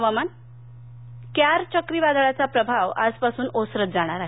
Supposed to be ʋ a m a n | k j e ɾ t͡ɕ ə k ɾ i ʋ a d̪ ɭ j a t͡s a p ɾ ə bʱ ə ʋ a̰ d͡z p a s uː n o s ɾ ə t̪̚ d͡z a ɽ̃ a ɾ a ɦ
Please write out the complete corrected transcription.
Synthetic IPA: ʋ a m a n | k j a ɾ t͡ɕ ə k ɾ i ʋ a d̪ ɭ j a t͡s a p ɾ ə bʱ a ʋ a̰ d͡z p a s uː n o s ɾ ə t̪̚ d͡z a ɽ̃ a ɾ a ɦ

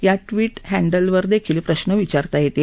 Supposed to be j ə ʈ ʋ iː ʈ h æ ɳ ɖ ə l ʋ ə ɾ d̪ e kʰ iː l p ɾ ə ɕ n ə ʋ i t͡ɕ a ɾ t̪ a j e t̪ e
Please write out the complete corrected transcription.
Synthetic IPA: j a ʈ ʋ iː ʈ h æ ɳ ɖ ə l ʋ ə ɾ d̪ e kʰ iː l p ɾ ə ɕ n ə ʋ i t͡ɕ a ɾ t̪ a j e t̪ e

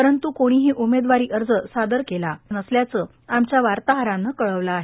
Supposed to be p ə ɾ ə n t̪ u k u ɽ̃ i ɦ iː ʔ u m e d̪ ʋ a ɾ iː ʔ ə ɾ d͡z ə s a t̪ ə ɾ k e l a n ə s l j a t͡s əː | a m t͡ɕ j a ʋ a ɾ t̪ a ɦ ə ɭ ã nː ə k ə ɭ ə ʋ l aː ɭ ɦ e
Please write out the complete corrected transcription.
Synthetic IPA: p ə ɾ ə n t̪ u k o ɽ̃ i ɦ iː ʔ u m e d̪ ʋ a ɾ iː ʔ ə ɾ d͡z ə s a d̪ ə ɾ k e l a n ə s l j a t͡s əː | a m t͡ɕ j a ʋ a ɾ t̪ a ɦ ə ɾ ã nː ə k ə ɭ ə ʋ l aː ɦ e

